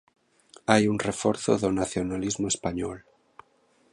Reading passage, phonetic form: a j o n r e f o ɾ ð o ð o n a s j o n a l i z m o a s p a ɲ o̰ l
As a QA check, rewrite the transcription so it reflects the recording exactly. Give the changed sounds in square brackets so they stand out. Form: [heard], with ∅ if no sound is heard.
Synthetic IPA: a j [u] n r e f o ɾ [θ] o ð o n a [θ] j o n a l i z m o [e] s p a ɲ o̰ l